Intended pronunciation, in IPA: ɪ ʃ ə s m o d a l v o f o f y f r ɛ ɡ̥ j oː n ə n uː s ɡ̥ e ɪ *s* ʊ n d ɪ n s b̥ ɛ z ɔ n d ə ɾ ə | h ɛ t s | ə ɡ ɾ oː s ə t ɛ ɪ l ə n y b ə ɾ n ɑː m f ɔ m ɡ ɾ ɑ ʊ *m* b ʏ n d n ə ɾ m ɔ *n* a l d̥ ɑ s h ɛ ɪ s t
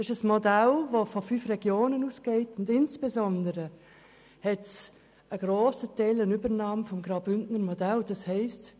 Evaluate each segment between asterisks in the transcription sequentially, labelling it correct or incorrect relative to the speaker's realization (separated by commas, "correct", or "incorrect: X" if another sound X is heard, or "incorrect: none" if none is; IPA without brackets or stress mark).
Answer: incorrect: t, incorrect: none, incorrect: d